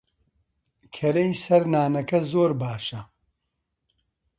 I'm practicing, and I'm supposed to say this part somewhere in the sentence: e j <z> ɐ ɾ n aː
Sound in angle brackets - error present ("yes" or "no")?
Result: yes